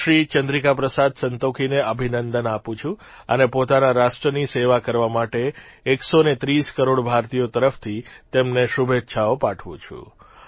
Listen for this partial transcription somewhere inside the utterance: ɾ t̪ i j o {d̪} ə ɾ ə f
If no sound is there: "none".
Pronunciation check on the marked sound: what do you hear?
t̪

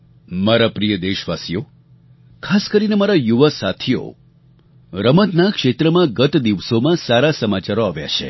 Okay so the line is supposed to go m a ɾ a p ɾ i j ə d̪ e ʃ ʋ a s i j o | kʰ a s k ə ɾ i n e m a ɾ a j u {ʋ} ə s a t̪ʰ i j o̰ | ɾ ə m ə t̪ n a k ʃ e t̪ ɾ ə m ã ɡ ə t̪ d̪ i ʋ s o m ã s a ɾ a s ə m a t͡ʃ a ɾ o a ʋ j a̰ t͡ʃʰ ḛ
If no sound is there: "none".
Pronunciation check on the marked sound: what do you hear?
ʋ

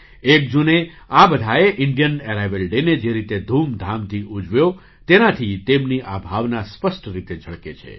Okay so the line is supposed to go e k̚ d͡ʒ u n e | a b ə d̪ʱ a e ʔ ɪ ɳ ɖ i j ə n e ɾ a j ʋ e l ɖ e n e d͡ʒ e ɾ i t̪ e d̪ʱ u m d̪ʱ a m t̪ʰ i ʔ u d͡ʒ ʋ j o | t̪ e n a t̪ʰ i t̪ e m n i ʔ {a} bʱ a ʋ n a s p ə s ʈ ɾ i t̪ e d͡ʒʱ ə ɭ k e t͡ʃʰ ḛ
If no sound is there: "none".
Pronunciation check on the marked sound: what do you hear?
a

